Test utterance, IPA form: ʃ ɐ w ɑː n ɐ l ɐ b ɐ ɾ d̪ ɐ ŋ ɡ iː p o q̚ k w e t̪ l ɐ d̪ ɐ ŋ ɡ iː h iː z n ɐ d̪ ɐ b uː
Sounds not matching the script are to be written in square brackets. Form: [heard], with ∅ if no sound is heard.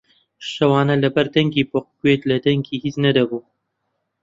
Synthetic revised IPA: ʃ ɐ w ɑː n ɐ l ɐ b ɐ ɾ d̪ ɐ ŋ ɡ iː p o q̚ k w e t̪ l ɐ d̪ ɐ ŋ ɡ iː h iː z n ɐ d̪ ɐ b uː